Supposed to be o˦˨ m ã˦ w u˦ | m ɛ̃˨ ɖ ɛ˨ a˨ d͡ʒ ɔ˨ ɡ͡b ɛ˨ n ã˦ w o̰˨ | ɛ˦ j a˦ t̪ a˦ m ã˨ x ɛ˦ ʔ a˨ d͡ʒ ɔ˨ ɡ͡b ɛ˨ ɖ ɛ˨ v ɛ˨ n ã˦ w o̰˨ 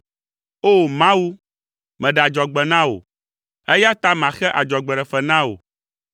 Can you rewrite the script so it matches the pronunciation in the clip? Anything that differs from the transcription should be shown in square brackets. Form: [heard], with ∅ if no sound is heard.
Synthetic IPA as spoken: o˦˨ m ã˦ w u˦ | m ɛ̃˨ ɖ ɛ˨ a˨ d͡ʒ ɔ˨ ɡ͡b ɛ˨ n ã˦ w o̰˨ | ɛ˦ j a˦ t̪ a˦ m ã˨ x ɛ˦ ʔ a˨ d͡ʒ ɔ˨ ɡ͡b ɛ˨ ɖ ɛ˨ [f] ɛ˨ n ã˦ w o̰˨